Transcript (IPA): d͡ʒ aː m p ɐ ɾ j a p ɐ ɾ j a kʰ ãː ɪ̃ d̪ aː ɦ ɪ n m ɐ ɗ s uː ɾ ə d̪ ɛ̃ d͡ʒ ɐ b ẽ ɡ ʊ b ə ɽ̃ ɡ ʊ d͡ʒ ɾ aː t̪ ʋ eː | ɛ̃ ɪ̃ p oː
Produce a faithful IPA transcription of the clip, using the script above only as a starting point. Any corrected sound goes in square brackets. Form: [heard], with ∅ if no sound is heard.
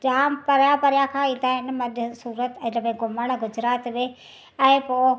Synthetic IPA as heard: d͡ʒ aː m p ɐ ɾ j a p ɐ ɾ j a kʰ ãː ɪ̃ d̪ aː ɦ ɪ n m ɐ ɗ s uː ɾ ə [t̪] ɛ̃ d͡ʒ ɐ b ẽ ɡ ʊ [m] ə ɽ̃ ɡ ʊ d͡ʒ ɾ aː t̪ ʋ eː | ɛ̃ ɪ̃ p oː